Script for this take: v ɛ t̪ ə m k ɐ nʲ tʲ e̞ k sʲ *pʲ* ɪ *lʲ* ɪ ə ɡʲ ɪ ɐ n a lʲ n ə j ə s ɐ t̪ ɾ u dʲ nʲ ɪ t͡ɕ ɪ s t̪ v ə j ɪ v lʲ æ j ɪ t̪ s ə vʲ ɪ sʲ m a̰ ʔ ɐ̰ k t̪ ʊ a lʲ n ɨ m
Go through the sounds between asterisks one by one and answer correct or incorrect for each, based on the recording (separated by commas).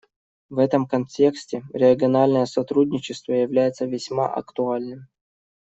incorrect, incorrect